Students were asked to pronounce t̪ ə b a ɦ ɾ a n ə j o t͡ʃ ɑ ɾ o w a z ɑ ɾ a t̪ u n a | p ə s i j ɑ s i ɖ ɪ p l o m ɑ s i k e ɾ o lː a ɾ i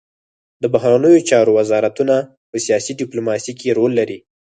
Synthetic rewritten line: d̪ ə b a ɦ ɾ a n ə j o t͡ʃ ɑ ɾ o w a z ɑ ɾ a t̪ u n a | p ə s i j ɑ s i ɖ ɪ p l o m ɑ s i k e ɾ o lː a ɾ i